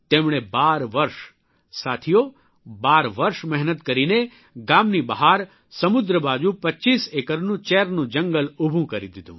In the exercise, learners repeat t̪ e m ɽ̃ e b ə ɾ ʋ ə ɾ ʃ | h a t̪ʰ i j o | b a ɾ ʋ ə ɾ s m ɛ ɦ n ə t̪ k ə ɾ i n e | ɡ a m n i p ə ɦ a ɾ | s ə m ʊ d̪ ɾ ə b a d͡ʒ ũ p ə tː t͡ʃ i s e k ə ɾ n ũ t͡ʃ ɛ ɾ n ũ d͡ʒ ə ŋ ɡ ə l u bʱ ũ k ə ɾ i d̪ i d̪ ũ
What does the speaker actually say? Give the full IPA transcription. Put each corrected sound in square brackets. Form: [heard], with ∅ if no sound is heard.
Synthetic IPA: t̪ e m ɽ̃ e b [a] ɾ ʋ ə ɾ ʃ | [s] a t̪ʰ i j o | b a ɾ ʋ ə ɾ [ʃ] m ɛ ɦ n ə t̪ k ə ɾ i n e | ɡ a m n i [b] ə ɦ a ɾ | s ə m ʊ d̪ ɾ ə b a d͡ʒ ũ p ə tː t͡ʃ i s e k ə ɾ n ũ t͡ʃ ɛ ɾ n ũ d͡ʒ ə ŋ ɡ ə l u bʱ ũ k ə ɾ i d̪ i d̪ ũ

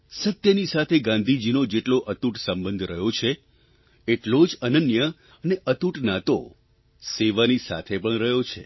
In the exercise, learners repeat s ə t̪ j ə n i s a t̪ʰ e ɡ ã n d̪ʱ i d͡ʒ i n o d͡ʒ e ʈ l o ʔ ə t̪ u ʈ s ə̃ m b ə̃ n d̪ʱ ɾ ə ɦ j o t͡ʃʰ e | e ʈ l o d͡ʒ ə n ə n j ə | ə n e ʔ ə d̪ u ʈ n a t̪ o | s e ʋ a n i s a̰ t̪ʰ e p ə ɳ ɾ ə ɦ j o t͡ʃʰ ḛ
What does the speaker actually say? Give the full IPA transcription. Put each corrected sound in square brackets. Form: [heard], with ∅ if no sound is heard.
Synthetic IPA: s ə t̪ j ə n i s a t̪ʰ e ɡ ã n d̪ʱ i d͡ʒ i n o d͡ʒ e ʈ l o ʔ ə t̪ u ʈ s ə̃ m b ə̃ n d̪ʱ ɾ ə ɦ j o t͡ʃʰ e | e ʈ l o d͡ʒ ə n ə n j ə | ə n e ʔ ə [t̪] u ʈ n a t̪ o | s e ʋ a n i s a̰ t̪ʰ e p ə ɳ ɾ ə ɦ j o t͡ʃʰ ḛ

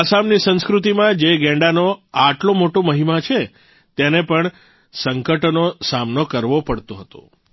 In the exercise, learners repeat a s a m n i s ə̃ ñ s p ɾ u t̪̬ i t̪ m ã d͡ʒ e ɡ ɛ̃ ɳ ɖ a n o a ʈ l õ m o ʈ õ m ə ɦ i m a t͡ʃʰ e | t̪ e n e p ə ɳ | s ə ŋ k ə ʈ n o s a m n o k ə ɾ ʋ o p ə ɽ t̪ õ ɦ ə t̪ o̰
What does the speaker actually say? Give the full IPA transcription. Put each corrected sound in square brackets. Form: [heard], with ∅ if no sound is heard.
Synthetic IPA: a s a m n i s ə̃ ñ s [k] ɾ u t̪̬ i [∅] m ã d͡ʒ e ɡ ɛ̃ ɳ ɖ a n o a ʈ l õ m o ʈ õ m ə ɦ i m a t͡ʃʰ e | t̪ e n e p ə ɳ | s ə ŋ k ə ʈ n o s a m n o k ə ɾ ʋ o p ə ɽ t̪ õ ɦ ə t̪ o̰

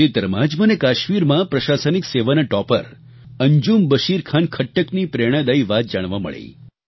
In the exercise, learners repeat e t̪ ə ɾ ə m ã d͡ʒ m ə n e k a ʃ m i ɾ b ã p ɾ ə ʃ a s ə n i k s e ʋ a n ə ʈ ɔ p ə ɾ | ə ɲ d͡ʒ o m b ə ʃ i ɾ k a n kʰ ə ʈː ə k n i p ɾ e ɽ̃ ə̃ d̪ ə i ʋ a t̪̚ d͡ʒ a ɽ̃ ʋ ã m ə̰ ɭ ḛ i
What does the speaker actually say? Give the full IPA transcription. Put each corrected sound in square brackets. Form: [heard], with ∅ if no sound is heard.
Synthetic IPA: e t̪ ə ɾ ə m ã d͡ʒ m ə n e k a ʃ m i ɾ [m] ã p ɾ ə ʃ a s ə n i k s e ʋ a n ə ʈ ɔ p ə ɾ | ə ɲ d͡ʒ [u] m b ə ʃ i ɾ [kʰ] a n kʰ ə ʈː ə k n i p ɾ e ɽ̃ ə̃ d̪ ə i ʋ a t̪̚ d͡ʒ a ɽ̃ ʋ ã m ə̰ ɭ ḛ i

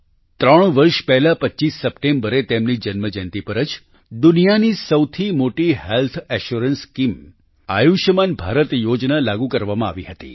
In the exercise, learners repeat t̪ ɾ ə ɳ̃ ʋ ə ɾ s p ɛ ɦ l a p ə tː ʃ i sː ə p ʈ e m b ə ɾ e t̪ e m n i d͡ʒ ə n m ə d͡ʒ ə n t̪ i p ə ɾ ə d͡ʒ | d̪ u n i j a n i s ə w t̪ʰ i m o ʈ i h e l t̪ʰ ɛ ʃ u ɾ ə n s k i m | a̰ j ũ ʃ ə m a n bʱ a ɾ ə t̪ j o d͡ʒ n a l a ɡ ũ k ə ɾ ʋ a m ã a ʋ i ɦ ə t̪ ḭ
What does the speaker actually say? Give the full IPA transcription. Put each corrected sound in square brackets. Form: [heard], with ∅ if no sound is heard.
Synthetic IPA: t̪ ɾ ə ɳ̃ ʋ ə ɾ [ʃ] p ɛ ɦ l a p ə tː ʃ i sː ə p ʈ e m b ə ɾ e t̪ e m n i d͡ʒ ə n m ə d͡ʒ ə n t̪ i p ə ɾ ə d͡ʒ | d̪ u n i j a n i s ə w t̪ʰ i m o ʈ i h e l t̪ʰ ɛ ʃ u ɾ ə n s k i m | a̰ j [u] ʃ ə m a n bʱ a ɾ ə t̪ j o d͡ʒ n a l a ɡ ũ k ə ɾ ʋ a m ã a ʋ i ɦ ə t̪ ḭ

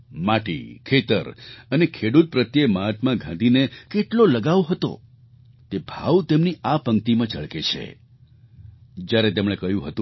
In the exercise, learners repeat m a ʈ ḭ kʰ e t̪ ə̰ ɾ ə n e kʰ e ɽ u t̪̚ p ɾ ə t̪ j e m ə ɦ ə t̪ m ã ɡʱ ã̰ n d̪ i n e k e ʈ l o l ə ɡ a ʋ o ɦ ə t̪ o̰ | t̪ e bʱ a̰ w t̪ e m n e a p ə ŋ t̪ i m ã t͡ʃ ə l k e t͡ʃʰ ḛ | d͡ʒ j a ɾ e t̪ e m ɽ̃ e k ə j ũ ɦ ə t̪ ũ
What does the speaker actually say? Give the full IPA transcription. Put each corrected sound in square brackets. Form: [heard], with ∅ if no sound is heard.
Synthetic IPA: m a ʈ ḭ kʰ e t̪ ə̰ ɾ ə n e kʰ e ɽ u t̪̚ p ɾ ə t̪ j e m [a] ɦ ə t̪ m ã ɡʱ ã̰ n d̪ i n e k e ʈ l o l ə ɡ a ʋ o ɦ ə t̪ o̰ | t̪ e bʱ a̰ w t̪ e m n [i] a p ə ŋ t̪ i m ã t͡ʃ ə [ɭ] k e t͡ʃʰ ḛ | d͡ʒ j a ɾ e t̪ e m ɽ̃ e k ə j ũ ɦ ə t̪ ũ

